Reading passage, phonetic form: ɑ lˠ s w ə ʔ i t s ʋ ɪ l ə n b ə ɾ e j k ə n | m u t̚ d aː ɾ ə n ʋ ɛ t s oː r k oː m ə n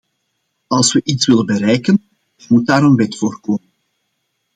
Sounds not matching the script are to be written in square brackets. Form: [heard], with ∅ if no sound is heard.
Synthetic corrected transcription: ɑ lˠ s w ə ʔ i t s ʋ ɪ l ə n b ə ɾ [ɛ] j k ə n | m u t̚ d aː ɾ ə n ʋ ɛ t [f] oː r k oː m ə n